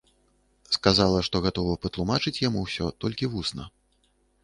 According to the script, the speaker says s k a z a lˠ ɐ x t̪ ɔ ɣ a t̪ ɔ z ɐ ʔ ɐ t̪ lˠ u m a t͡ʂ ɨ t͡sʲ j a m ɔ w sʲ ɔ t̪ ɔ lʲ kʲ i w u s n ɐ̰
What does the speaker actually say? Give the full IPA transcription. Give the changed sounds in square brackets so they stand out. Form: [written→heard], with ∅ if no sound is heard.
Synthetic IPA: s k a z a lˠ ɐ [x→ʂ] t̪ ɔ ɣ a t̪ ɔ [z→v] ɐ [ʔ→p] ɐ t̪ lˠ u m a t͡ʂ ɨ t͡sʲ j a m [ɔ→u] w sʲ ɔ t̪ ɔ lʲ kʲ i [w→v] u s n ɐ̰